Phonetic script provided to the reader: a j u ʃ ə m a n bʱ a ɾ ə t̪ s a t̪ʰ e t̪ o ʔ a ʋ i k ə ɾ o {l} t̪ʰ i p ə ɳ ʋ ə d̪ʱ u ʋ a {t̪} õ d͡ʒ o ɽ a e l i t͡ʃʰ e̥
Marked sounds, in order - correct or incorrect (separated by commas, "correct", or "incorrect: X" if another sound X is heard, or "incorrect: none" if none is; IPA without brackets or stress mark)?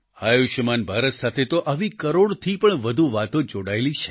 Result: incorrect: ɽ, correct